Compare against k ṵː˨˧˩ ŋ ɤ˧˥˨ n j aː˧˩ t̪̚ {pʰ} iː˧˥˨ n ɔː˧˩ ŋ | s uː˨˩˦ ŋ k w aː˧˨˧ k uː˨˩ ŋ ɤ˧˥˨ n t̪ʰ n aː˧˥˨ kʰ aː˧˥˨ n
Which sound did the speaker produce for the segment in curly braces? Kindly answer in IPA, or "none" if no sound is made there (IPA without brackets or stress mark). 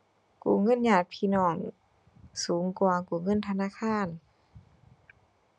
pʰ